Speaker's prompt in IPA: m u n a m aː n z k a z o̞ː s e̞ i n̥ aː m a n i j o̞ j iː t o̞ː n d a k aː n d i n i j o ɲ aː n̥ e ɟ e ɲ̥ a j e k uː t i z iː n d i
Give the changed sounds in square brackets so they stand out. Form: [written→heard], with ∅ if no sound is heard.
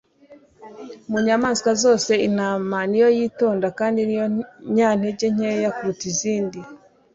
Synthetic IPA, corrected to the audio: m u [n→ɲ] a m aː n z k a z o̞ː s e̞ i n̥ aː m a n i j o̞ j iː t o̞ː n d a k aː n d i n i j o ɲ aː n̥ e ɟ e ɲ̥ [a→e] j [e→a] k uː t i z iː n d i